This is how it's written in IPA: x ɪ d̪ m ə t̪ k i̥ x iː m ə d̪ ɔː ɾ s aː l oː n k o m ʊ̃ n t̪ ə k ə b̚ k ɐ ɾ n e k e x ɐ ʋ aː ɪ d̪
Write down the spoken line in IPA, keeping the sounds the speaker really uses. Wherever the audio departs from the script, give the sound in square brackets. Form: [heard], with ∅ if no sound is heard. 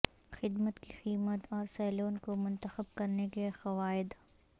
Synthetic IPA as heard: x ɪ d̪ m ə t̪ k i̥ x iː m ə [t̪] ɔː ɾ s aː l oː n k o m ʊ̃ n t̪ ə [x] ə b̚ k ɐ ɾ n e k e x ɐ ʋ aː ɪ d̪

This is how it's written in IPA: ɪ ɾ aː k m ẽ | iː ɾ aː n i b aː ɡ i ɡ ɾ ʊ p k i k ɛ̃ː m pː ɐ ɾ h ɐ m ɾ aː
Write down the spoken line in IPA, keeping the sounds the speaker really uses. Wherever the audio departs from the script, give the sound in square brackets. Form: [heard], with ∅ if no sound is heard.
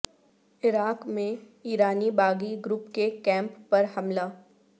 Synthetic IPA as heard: ɪ ɾ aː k m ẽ | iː ɾ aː n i b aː ɡ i ɡ ɾ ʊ p k [e] k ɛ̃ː m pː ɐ ɾ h ɐ m [l] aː

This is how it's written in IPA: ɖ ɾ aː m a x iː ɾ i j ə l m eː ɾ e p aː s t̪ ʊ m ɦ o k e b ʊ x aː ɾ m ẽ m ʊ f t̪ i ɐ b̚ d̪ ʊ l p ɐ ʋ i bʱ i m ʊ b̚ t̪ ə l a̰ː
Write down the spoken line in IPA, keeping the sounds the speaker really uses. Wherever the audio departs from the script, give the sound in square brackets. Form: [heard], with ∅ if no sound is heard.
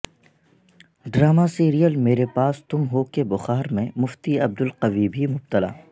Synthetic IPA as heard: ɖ ɾ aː m a [s] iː ɾ i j ə l m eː ɾ e p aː s t̪ ʊ m ɦ o k e b ʊ x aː ɾ m ẽ m ʊ f t̪ i ɐ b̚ d̪ ʊ l [q] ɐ ʋ i bʱ i m ʊ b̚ t̪ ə l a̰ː

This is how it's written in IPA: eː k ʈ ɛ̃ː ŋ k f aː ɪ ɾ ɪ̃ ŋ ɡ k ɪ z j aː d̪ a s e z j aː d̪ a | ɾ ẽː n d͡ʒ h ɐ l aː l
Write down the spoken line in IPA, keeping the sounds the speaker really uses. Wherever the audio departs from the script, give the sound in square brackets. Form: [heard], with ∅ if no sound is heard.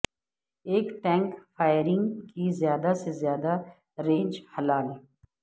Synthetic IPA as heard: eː k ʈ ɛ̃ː ŋ k f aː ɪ ɾ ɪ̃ ŋ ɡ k [i] z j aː d̪ a s e z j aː d̪ a | ɾ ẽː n d͡ʒ h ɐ l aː l

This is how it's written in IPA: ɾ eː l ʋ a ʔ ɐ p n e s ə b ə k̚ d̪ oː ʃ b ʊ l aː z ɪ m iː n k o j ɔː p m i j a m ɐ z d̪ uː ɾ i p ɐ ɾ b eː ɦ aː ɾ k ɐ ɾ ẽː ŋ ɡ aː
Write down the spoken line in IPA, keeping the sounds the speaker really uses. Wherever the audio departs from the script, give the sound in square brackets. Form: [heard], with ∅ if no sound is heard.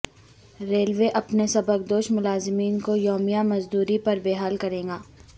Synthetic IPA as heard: ɾ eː l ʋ [e] ʔ ɐ p n e s [ɐ] b ə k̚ d̪ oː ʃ [m] ʊ l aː z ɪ m iː n k o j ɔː [∅] m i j a m ɐ z d̪ uː ɾ i p ɐ ɾ b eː ɦ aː [l] k ɐ ɾ ẽː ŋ ɡ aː

